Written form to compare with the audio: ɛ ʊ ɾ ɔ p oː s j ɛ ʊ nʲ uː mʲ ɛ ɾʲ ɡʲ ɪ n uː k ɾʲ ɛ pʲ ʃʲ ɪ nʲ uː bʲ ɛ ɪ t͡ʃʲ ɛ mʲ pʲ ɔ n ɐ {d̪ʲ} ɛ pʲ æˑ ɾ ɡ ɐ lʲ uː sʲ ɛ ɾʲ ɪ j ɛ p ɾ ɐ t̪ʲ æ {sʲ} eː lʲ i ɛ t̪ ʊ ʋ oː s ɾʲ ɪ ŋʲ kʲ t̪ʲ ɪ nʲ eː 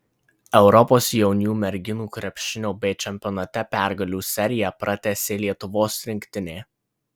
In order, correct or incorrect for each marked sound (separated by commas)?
incorrect, correct